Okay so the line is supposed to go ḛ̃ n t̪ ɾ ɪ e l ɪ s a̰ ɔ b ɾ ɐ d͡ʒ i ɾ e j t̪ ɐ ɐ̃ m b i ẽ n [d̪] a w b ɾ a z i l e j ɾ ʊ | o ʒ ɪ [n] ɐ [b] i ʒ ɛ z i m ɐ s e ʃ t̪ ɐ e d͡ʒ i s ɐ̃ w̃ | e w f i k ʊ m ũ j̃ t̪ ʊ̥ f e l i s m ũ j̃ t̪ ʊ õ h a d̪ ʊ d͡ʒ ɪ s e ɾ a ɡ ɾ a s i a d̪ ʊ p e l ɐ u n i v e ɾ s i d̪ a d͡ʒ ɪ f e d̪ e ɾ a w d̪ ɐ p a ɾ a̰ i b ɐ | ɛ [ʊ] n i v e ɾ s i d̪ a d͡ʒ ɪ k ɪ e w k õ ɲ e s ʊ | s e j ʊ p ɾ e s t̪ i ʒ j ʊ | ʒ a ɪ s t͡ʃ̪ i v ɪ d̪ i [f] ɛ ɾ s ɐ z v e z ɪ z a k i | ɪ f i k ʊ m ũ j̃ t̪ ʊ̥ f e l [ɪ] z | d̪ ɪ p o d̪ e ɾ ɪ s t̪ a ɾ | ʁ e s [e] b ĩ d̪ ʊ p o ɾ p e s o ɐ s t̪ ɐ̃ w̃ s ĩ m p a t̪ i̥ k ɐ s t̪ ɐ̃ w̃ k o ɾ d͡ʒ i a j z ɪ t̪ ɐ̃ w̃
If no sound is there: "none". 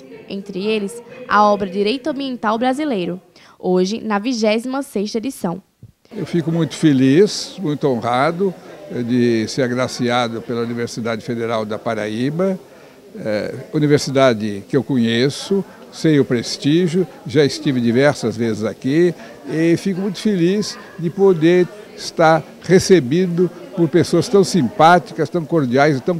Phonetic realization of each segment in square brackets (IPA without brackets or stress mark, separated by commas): t̪, n, v, u, v, i, e